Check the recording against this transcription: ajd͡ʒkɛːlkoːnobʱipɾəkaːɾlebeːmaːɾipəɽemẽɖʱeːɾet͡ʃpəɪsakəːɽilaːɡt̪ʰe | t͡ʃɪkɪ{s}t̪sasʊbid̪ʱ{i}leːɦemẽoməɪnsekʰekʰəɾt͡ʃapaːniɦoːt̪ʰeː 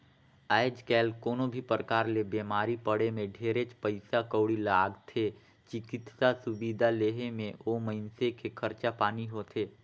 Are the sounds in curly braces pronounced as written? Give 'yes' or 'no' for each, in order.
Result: no, no

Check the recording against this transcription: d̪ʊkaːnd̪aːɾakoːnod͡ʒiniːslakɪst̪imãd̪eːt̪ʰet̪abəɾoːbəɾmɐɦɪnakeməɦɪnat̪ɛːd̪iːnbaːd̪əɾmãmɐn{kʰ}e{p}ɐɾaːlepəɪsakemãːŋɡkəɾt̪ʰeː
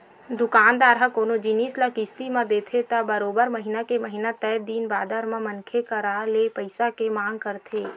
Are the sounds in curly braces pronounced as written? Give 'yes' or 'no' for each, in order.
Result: yes, no

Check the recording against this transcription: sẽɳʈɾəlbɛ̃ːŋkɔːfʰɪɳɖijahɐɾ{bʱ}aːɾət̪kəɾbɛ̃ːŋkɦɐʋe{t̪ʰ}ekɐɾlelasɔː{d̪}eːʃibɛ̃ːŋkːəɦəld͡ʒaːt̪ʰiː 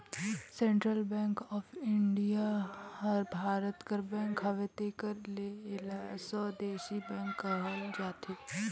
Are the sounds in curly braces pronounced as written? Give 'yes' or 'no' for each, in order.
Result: yes, no, yes

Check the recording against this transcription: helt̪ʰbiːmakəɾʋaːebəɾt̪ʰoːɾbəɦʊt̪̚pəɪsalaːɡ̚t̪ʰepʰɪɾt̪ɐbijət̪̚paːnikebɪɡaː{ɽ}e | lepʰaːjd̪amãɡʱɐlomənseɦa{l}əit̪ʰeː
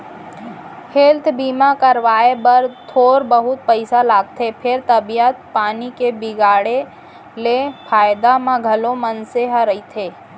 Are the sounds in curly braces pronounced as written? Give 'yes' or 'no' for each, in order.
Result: yes, no

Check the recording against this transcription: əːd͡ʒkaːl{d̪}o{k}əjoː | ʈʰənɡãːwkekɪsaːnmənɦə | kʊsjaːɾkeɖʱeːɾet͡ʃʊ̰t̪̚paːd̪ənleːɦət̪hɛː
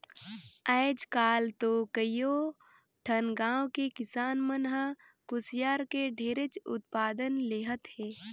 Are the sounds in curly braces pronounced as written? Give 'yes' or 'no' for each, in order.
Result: no, yes

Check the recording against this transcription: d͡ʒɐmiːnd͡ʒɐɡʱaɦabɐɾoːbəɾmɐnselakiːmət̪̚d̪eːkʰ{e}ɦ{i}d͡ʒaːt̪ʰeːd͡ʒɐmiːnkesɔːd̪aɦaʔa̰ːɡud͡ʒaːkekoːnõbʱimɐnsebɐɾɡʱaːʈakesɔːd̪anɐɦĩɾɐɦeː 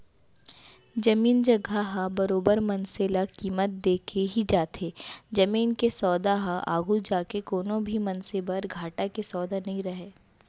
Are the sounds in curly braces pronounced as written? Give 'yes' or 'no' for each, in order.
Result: yes, yes

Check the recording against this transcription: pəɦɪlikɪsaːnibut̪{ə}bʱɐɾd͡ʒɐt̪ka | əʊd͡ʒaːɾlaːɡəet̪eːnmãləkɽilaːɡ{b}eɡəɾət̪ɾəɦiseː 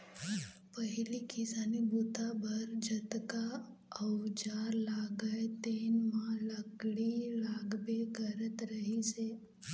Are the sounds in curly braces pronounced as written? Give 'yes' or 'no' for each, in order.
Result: no, yes

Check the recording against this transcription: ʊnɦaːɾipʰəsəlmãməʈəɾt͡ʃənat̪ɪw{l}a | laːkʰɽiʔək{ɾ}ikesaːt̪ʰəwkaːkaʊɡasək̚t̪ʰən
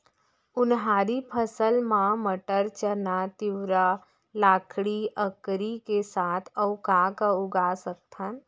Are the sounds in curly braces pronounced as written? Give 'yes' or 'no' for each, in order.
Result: no, yes

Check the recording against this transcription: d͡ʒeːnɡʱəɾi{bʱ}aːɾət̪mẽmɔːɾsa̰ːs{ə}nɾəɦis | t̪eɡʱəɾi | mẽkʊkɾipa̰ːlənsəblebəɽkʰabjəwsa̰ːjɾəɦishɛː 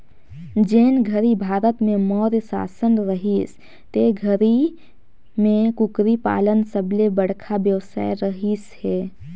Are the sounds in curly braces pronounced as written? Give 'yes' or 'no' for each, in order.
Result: yes, yes

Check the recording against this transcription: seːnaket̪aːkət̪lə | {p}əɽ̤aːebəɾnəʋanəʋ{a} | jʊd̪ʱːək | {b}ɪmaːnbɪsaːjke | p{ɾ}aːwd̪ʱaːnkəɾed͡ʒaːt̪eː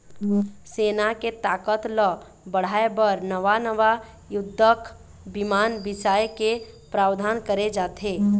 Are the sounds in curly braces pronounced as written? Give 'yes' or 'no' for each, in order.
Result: no, yes, yes, yes

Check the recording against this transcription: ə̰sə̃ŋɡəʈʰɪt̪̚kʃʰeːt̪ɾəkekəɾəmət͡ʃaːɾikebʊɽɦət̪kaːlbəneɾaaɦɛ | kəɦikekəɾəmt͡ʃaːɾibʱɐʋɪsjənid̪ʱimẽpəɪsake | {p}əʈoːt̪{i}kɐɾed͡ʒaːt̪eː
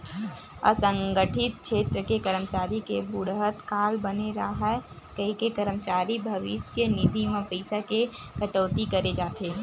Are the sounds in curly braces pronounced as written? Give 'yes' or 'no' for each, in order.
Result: no, yes

